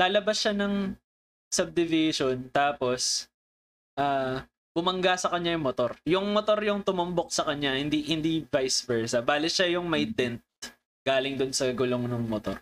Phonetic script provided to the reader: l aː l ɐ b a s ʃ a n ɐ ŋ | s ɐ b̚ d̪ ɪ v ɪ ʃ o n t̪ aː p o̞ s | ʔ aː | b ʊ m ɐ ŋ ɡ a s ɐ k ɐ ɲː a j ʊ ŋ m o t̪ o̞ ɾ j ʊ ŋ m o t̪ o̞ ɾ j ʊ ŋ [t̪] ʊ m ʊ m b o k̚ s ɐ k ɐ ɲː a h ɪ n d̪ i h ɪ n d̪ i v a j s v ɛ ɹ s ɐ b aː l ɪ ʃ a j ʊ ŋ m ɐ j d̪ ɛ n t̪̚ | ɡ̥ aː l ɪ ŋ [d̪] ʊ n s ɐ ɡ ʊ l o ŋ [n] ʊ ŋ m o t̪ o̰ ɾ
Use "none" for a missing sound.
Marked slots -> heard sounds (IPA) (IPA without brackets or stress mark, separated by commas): t̪, d̪, n